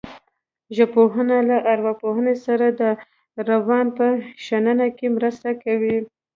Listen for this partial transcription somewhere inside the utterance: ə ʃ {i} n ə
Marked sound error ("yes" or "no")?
yes